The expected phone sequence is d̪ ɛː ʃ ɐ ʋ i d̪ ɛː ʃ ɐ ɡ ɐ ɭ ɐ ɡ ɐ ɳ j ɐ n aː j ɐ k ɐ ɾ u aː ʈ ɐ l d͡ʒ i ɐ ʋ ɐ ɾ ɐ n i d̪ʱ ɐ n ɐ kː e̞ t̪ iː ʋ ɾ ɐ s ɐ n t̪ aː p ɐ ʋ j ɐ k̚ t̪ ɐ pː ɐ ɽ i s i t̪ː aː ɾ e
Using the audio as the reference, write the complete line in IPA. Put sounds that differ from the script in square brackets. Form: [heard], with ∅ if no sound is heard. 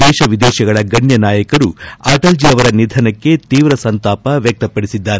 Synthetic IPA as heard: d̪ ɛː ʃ ɐ ʋ i d̪ ɛː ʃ ɐ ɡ ɐ ɭ ɐ ɡ ɐ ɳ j ɐ n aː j ɐ k ɐ ɾ u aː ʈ ɐ l d͡ʒ i ɐ ʋ ɐ ɾ ɐ n i d̪ʱ ɐ n ɐ kː e̞ t̪ iː ʋ ɾ ɐ s ɐ n t̪ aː p ɐ ʋ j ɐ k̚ t̪ ɐ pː ɐ ɽ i s i [d̪ː] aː ɾ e